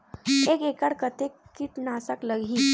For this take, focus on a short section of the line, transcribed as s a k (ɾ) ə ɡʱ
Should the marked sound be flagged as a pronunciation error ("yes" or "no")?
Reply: yes